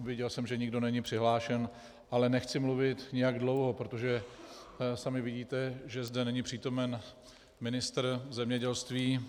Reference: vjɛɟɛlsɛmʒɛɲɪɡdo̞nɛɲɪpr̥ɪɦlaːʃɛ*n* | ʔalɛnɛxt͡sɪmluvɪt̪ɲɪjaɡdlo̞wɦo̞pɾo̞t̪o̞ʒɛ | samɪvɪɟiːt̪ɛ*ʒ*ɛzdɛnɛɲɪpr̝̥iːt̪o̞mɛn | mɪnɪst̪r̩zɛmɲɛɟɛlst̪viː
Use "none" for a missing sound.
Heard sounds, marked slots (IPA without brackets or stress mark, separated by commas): n, ʒ